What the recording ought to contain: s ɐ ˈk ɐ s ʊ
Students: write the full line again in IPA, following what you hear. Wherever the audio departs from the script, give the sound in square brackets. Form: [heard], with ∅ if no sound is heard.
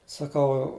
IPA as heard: s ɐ ˈk ɐ [∅] ʊ